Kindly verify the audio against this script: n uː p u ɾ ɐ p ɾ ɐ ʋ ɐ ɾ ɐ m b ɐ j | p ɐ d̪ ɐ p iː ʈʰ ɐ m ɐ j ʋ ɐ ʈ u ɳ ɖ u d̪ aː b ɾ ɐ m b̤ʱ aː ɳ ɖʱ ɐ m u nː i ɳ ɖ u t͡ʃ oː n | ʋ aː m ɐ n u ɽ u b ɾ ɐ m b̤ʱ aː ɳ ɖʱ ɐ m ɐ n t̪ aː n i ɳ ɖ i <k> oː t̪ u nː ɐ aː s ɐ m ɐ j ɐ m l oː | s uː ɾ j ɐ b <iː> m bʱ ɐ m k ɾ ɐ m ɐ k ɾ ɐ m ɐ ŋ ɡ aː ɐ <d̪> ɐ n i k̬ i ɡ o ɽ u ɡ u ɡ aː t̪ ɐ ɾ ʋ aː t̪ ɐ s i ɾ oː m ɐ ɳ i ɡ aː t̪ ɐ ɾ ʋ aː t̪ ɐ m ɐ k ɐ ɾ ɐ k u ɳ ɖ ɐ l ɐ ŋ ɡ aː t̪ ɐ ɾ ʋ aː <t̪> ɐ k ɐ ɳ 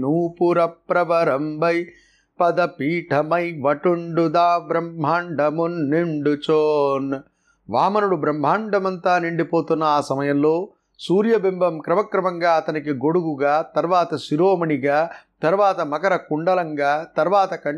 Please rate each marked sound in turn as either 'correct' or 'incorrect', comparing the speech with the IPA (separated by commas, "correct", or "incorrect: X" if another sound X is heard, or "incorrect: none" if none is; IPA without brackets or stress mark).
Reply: incorrect: p, incorrect: i, incorrect: t̪, correct